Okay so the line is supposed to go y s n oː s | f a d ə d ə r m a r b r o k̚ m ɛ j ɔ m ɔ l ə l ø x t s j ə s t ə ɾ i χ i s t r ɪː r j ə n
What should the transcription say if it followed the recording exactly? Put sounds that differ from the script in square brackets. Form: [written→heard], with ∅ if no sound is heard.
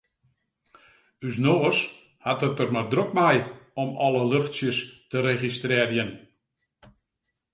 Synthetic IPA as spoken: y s n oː s | [f→h] a [d→t] ə [d→t] ə r m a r [b→d] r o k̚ m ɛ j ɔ m ɔ l ə l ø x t s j ə s t ə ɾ [i→e] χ i s t r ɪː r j ə n

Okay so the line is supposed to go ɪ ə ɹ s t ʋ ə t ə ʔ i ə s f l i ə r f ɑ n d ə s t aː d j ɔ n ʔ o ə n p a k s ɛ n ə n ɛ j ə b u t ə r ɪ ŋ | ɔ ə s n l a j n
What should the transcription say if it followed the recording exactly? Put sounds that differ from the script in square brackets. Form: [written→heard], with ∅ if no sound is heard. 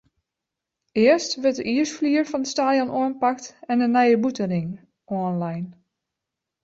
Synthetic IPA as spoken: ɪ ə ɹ s t ʋ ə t ə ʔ i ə s f l i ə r f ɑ n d ə s t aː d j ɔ n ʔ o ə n p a k [s→t] ɛ n ə n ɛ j ə b u t ə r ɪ ŋ | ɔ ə [s→∅] n l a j n

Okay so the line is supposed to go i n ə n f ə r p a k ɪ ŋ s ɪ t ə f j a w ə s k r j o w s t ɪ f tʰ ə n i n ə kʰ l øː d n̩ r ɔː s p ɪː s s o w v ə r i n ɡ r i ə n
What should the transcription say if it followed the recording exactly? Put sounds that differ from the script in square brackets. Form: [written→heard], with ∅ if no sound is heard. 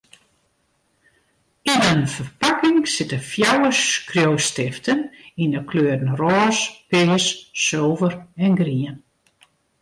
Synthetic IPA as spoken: i n ə n f ə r p a k ɪ ŋ s ɪ t ə f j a w ə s k r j o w s t ɪ f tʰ ə n i n ə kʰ l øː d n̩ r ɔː s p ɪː s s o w v ə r [i→ɛ] n ɡ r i ə n

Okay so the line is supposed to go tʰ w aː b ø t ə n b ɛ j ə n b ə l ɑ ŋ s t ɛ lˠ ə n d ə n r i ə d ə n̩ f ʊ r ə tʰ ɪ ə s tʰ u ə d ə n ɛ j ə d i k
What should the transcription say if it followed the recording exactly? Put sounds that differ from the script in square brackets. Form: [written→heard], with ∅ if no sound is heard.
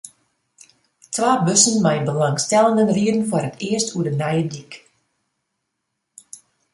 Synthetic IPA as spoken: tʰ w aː b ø [t→s] ə n [b→m] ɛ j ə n b ə l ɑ ŋ s t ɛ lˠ ə n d ə n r i ə d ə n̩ f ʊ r ə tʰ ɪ ə s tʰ u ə d ə n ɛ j ə d i k

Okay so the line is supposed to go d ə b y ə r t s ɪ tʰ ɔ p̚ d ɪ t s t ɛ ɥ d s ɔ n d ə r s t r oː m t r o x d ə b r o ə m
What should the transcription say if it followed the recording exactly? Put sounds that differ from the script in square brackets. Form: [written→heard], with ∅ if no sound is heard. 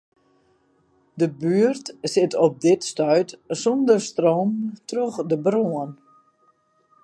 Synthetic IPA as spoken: d ə b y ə r t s ɪ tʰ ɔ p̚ d ɪ t s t [ɛ→œ] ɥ [d→t] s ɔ n d ə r s t r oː m t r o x d ə b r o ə [m→n]

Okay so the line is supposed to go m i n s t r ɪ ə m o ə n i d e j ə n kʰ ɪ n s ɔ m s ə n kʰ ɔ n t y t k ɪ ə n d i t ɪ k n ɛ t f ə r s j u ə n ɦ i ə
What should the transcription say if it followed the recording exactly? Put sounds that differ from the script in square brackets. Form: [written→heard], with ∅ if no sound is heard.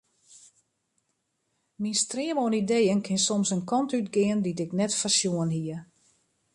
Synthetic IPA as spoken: m i n s t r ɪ ə m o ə n i d e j ə n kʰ ɪ n s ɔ m s ə n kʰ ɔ n t y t [k→ɡ] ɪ ə n d i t ɪ k n ɛ t f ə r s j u ə n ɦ i ə

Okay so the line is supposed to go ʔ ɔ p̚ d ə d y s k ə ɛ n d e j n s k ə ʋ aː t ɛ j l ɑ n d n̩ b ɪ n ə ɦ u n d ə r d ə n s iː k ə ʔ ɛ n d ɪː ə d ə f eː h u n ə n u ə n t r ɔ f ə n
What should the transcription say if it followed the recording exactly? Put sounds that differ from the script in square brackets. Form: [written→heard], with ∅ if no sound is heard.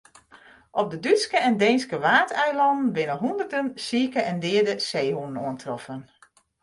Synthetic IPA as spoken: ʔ ɔ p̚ d ə d y s k ə ɛ n d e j n s k ə ʋ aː t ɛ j l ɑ n d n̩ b ɪ n ə ɦ u n d ə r d ə n s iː k ə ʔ ɛ n d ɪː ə d ə [f→s] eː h u n ə n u ə n t r ɔ f ə n

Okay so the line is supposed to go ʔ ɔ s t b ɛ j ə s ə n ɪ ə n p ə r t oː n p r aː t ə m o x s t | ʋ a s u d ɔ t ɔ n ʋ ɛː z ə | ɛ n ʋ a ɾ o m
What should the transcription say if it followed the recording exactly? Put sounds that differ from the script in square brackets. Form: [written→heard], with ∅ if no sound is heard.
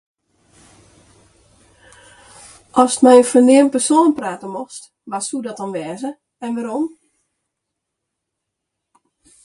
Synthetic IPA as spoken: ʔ ɔ s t [b→m] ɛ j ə [s→f] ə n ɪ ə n p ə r [t→s] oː n p r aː t ə m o x s t | ʋ a s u d ɔ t ɔ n ʋ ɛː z ə | ɛ n ʋ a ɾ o m

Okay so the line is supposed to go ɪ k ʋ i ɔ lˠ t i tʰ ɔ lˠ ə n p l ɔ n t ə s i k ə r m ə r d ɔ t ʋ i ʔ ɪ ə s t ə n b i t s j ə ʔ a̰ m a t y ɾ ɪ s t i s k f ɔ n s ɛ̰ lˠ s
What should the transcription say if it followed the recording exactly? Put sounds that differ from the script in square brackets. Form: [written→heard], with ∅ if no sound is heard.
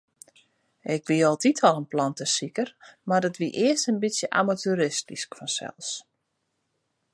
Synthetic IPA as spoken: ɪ k ʋ i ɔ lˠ t i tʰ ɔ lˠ ə n p l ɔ n t ə s i k ə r m [ə→a] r d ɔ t ʋ i ʔ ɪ ə s t ə n b i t s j ə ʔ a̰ m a t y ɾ ɪ s t i s k f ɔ n s ɛ̰ lˠ s

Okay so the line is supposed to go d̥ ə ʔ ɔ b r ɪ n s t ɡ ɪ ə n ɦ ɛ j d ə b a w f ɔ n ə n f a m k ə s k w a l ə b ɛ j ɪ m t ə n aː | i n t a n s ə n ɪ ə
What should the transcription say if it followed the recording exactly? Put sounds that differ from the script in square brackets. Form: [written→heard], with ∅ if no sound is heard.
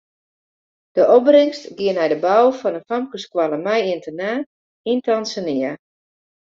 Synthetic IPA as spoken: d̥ ə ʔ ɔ b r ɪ [n→ŋ] s t ɡ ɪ ə n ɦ ɛ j d ə b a w f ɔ n ə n f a m k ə s k w a l ə [b→m] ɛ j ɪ [m→n] t ə n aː | i n t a n s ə n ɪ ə

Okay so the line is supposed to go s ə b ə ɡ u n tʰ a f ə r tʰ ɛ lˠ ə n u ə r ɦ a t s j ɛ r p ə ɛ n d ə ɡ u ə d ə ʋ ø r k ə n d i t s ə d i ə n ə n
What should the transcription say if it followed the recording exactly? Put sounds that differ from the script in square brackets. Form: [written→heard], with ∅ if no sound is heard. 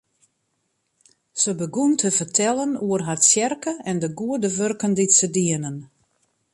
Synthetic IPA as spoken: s ə b ə ɡ u n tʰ [a→ə] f ə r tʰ ɛ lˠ ə n u ə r ɦ a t s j ɛ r [p→k] ə ɛ n d ə ɡ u ə d ə ʋ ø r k ə n d i t s ə d i ə n ə n

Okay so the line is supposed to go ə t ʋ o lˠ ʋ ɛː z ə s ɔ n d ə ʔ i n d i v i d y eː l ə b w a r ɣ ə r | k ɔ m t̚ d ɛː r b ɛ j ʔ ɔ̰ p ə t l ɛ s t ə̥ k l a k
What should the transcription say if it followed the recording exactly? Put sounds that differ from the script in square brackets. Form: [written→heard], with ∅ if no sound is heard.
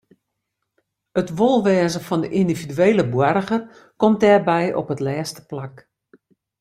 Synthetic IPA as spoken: ə t ʋ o lˠ ʋ ɛː z ə [s→f] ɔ n d ə ʔ i n d i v i d y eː l ə b w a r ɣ ə r | k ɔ m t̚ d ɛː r b ɛ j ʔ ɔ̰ p ə t l [ɛ→ɛː] s t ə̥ [k→p] l a k

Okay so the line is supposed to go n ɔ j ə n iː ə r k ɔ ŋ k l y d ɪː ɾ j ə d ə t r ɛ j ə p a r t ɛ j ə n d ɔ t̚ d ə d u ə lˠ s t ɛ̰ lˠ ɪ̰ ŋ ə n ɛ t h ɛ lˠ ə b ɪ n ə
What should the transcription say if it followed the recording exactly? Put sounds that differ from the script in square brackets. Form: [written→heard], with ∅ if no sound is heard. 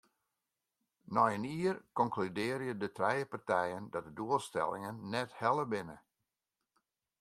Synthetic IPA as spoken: n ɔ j ə n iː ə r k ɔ ŋ k l y d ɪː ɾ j ə d ə t r ɛ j ə p a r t ɛ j ə n d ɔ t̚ d ə d u ə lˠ s t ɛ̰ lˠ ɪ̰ ŋ ə [n→nː] ɛ t h ɛ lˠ ə b ɪ n ə

